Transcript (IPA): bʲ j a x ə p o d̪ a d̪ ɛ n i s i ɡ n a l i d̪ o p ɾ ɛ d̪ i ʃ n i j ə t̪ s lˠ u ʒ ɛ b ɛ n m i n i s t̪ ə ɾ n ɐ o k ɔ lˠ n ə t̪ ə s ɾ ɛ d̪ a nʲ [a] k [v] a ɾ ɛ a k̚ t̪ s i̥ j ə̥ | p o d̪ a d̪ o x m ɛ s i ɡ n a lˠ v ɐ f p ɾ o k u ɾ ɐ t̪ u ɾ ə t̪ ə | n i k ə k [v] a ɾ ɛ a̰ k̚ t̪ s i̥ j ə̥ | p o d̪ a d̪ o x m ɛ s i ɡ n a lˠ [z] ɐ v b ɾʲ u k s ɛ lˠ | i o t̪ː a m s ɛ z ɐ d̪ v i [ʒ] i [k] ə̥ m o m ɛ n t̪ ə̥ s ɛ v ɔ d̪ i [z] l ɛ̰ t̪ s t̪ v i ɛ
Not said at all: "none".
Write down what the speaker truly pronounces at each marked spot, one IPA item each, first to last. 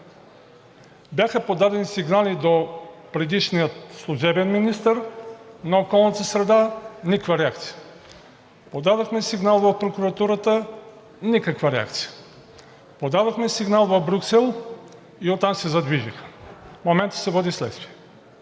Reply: i, v, v, v, ʒ, x, s

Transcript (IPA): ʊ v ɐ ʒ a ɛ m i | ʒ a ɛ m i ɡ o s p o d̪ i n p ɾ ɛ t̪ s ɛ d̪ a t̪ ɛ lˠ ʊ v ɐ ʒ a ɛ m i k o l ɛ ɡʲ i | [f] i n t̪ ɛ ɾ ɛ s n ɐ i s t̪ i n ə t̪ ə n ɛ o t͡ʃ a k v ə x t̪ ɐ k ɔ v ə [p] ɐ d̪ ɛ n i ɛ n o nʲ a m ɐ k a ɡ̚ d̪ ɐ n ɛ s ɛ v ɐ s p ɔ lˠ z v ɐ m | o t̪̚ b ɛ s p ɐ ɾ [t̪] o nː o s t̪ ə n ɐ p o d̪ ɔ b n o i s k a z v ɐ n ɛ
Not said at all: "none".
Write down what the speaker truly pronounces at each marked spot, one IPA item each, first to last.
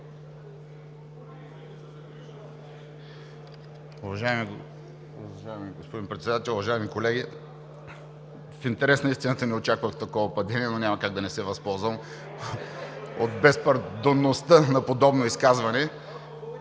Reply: f, p, d̪

